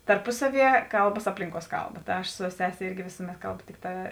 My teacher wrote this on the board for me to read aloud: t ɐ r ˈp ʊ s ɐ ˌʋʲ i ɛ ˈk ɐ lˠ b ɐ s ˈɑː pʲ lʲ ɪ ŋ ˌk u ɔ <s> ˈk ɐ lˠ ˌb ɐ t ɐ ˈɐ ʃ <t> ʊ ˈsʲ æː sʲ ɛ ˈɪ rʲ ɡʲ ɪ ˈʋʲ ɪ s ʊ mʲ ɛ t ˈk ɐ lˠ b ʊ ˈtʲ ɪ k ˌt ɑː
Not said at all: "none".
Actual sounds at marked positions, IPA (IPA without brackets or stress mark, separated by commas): s, s